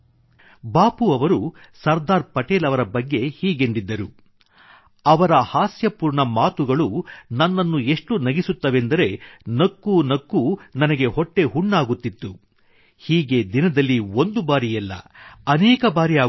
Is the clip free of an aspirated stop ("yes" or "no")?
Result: yes